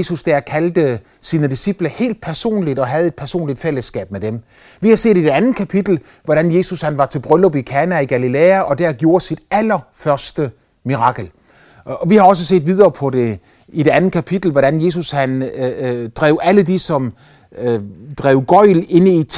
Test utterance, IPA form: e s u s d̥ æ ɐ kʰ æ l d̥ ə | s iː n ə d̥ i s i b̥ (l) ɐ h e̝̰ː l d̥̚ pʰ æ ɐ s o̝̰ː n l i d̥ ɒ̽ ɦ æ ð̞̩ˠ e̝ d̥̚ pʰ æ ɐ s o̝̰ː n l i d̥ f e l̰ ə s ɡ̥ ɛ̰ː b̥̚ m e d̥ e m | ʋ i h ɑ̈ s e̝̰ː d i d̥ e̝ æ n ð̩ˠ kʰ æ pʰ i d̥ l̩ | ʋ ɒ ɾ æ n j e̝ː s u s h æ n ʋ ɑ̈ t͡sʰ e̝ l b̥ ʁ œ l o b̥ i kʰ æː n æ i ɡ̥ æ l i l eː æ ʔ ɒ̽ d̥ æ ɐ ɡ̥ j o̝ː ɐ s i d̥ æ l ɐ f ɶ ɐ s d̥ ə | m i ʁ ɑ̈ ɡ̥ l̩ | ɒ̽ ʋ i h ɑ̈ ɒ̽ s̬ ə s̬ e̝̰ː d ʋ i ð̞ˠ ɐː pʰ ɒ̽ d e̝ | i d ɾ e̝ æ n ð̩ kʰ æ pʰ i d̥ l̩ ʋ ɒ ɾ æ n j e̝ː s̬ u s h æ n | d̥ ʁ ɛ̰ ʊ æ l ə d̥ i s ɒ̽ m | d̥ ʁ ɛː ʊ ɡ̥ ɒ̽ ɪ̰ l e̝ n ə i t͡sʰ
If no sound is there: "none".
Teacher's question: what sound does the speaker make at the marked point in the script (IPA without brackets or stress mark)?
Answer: l